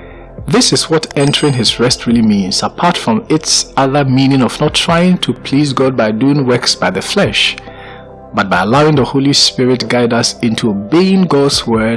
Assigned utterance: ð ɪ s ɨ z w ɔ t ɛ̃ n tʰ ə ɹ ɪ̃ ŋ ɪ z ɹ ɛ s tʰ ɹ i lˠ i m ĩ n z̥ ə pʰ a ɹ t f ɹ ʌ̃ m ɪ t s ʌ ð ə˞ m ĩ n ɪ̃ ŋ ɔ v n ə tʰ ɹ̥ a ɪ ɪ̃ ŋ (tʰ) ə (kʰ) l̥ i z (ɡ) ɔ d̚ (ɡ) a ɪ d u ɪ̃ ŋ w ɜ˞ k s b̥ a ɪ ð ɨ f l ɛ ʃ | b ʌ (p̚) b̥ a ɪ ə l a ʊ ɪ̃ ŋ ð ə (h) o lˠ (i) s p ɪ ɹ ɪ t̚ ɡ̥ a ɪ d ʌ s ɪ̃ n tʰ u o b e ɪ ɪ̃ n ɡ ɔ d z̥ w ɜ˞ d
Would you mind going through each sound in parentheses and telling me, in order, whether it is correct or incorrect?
correct, incorrect: pʰ, correct, incorrect: b, incorrect: t̚, correct, correct

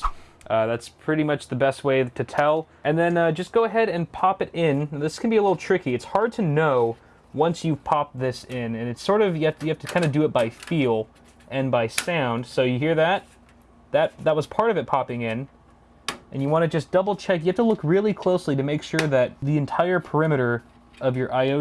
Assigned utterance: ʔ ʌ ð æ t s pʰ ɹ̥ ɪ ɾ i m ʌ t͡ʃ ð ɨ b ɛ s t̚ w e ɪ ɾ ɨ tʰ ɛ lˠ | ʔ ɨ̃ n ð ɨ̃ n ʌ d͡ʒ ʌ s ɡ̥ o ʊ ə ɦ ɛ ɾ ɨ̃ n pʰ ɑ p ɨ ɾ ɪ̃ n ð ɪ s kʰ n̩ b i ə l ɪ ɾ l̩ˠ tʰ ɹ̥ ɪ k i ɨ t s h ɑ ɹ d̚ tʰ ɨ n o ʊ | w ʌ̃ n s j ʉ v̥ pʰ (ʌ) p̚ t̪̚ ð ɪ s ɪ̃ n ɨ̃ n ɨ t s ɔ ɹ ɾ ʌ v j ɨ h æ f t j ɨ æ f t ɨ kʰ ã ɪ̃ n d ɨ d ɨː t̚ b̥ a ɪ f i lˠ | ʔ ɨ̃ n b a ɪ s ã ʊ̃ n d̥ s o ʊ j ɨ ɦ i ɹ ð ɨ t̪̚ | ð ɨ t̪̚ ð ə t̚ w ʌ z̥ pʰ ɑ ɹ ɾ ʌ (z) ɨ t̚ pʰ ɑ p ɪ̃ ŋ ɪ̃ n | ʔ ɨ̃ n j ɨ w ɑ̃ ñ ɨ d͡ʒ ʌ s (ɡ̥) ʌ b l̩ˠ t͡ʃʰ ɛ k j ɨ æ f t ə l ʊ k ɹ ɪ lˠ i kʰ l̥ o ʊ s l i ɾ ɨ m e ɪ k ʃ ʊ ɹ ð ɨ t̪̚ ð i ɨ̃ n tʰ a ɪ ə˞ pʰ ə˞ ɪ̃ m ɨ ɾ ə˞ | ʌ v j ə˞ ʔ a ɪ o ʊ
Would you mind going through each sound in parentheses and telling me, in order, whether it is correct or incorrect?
incorrect: ɑ, incorrect: v, incorrect: d̥

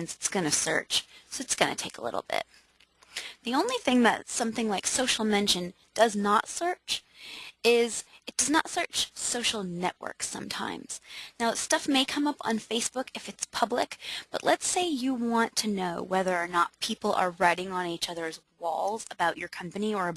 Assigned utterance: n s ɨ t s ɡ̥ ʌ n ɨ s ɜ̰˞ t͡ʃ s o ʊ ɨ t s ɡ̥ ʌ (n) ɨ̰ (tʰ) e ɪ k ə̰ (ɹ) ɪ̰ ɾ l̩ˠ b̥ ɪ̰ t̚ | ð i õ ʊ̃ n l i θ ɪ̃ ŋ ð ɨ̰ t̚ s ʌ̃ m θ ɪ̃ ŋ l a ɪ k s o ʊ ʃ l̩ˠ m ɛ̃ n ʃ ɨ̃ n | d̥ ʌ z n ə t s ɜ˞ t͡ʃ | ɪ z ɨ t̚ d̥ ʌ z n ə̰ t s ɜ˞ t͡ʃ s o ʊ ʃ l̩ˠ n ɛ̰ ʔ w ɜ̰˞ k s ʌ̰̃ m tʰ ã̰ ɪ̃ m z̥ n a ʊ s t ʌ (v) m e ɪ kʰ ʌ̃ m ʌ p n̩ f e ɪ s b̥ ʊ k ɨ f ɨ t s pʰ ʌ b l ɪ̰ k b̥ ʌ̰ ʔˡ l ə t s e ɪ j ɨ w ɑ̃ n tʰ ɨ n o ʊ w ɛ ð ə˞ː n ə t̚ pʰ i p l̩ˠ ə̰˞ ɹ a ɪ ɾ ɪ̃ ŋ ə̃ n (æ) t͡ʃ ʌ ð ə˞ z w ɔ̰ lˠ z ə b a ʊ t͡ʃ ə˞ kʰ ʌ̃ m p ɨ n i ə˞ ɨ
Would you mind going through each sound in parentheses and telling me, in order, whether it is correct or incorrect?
correct, correct, incorrect: l, incorrect: f, incorrect: i

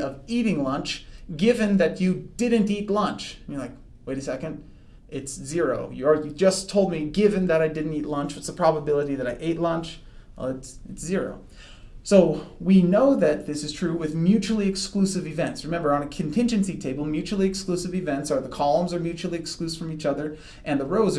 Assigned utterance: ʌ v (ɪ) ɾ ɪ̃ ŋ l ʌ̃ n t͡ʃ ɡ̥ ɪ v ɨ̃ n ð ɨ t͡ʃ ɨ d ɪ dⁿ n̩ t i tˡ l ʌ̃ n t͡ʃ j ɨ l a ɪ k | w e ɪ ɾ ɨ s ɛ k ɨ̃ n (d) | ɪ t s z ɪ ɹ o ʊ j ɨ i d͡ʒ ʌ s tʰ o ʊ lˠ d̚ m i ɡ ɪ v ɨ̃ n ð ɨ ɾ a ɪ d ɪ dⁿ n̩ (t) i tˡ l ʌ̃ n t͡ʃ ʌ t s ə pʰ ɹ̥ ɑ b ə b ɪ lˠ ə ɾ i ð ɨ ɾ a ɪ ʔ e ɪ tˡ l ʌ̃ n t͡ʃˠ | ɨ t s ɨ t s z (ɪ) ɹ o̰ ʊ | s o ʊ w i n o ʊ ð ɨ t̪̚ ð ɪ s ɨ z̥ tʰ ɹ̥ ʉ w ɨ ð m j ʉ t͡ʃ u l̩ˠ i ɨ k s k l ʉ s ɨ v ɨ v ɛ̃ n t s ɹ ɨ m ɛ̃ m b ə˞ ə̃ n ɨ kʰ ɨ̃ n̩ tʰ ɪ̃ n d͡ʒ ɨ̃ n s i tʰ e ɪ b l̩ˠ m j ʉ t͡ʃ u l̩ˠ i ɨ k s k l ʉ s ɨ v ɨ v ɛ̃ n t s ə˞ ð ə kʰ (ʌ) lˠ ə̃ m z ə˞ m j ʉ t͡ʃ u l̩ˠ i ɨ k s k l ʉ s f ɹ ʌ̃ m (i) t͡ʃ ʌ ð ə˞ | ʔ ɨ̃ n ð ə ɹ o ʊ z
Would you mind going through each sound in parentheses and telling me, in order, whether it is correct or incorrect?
incorrect: i, correct, correct, correct, incorrect: ɑ, correct

